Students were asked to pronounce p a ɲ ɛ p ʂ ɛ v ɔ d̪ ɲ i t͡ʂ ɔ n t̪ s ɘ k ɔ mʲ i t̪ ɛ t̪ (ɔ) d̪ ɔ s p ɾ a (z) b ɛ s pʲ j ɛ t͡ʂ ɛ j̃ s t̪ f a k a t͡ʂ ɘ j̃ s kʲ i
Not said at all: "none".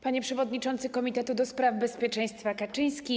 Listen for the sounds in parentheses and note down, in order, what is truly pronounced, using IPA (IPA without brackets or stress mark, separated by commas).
u, v